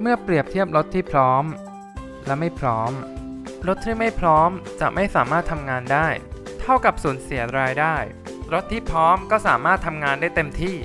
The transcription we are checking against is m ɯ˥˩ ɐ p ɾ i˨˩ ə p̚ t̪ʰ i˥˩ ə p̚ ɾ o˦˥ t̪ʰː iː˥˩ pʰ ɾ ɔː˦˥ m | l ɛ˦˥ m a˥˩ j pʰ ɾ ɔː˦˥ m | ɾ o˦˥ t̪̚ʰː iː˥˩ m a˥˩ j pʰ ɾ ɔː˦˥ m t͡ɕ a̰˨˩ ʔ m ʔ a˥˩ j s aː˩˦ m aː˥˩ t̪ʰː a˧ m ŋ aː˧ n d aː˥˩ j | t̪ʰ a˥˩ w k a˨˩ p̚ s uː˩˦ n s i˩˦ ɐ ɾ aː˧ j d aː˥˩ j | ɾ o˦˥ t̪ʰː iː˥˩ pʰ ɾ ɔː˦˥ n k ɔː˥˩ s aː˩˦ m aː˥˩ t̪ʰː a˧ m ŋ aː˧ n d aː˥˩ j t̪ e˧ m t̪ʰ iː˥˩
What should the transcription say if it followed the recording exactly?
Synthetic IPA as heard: m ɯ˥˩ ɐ p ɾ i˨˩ ə p̚ t̪ʰ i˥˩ ə p̚ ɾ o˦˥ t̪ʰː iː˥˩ pʰ ɾ ɔː˦˥ m | l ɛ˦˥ m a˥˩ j pʰ ɾ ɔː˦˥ m | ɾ o˦˥ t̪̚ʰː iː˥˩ m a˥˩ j pʰ ɾ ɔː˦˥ m t͡ɕ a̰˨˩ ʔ m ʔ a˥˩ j s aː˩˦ m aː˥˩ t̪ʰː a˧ m ŋ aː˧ n d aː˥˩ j | t̪ʰ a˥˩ w k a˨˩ p̚ s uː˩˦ n s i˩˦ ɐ ɾ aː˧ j d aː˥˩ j | ɾ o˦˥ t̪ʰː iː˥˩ pʰ ɾ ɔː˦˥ m k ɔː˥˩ s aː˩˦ m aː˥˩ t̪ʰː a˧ m ŋ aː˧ n d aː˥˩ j t̪ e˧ m t̪ʰ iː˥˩